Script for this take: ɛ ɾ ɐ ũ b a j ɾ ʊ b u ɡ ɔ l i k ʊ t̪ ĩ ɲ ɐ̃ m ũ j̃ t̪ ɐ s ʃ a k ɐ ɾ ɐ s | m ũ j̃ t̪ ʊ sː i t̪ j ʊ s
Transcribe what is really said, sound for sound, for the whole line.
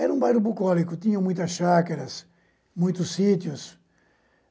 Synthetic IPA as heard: ɛ ɾ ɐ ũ b a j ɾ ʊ b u k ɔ l i k ʊ t̪ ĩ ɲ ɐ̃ m ũ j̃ t̪ ɐ s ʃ a k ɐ ɾ ɐ s | m ũ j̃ t̪ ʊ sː i t̪ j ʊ s

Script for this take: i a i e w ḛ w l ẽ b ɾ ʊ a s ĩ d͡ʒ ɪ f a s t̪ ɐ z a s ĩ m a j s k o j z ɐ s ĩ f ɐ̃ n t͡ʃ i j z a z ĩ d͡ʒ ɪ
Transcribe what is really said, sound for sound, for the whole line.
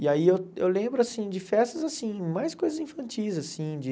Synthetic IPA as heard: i a i e w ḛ w l ẽ b ɾ ʊ a s ĩ d͡ʒ ɪ f ɛ s t̪ ɐ z a s ĩ m a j s k o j z ɐ z ĩ f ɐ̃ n t͡ʃ i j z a s ĩ d͡ʒ ɪ

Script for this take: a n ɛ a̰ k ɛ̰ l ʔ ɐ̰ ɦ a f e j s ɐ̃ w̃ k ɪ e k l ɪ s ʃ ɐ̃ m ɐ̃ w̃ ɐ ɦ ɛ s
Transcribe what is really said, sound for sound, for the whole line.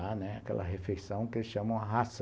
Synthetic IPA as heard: a n ɛ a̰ k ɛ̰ l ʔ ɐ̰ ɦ e f e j s ɐ̃ w̃ k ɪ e l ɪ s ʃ ɐ̃ m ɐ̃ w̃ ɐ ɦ a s

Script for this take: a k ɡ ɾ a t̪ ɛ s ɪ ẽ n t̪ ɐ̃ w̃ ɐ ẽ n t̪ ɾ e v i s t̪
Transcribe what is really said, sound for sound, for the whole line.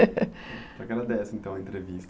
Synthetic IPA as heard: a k ɡ ɾ a d̪ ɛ s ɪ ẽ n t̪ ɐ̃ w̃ ɐ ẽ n t̪ ɾ e v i s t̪

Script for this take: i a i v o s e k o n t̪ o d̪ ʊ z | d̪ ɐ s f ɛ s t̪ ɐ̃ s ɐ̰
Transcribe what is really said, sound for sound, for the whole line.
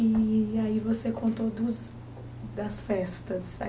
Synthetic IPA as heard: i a i v o s e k õ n t̪ o d̪ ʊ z | d̪ ɐ s f ɛ s t̪ ɐ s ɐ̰

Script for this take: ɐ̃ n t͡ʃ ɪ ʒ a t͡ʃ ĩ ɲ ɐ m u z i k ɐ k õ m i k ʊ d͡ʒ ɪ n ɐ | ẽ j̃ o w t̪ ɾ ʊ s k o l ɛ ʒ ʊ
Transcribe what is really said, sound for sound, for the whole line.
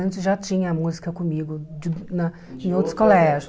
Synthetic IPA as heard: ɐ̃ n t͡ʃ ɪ ʒ a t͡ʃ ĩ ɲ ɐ m u z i k ɐ k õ m i ɡ ʊ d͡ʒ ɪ n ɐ | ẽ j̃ o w t̪ ɾ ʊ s k o l ɛ ʒ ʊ

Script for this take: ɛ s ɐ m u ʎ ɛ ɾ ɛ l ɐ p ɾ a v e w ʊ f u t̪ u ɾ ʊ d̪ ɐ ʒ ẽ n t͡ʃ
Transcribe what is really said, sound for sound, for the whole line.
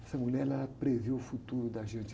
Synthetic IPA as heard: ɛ s ɐ m u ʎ ɛ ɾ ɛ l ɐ p ɾ e v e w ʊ f u t̪ u ɾ ʊ d̪ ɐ ʒ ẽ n t͡ʃ

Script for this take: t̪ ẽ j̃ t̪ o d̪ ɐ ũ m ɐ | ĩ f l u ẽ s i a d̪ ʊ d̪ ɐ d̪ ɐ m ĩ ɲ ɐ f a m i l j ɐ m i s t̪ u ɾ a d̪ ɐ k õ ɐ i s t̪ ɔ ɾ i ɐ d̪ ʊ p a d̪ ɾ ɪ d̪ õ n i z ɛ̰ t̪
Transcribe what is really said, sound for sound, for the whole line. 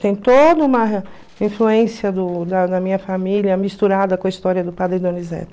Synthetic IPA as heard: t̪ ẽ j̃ t̪ o d̪ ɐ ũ m ɐ | ĩ f l u ẽ s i ɐ d̪ ʊ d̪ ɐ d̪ ɐ m ĩ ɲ ɐ f a m i l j ɐ m i s t̪ u ɾ a d̪ ɐ k õ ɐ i s t̪ ɔ ɾ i ɐ d̪ ʊ p a d̪ ɾ ɪ d̪ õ n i z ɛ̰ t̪

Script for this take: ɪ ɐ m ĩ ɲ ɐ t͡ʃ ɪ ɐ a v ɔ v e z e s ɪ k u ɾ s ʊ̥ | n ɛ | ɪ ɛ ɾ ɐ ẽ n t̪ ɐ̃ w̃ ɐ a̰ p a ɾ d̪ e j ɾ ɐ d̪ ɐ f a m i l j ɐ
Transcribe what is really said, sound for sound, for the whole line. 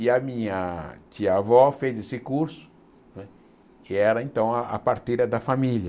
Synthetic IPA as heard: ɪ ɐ m ĩ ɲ ɐ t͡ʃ i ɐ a v ɔ f e z e s ɪ k u ɾ s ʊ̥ | n ɛ | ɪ ɛ ɾ ɐ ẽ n t̪ ɐ̃ w̃ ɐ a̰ p a ɾ t̪ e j ɾ ɐ d̪ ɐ f a m i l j ɐ

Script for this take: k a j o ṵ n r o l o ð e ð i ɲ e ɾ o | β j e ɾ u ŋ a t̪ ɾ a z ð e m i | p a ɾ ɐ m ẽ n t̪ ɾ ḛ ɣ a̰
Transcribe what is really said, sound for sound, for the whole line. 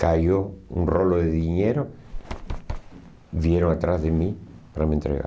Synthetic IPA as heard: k a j o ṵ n r o l o ð e ð i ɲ e ɾ o | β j e ɾ o ŋ a t̪ ɾ a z ð e m i | p a ɾ a m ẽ n t̪ ɾ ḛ ɣ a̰

